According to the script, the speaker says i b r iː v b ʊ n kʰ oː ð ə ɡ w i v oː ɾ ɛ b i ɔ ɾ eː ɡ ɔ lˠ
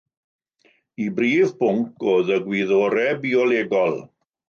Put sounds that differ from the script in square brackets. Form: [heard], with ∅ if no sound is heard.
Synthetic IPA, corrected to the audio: i b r iː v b ʊ [ŋ] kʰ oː ð ə ɡ w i [ð] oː ɾ ɛ b i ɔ [l] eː ɡ ɔ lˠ